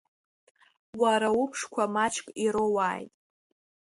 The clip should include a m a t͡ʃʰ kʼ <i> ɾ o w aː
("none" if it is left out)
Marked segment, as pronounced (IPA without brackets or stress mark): i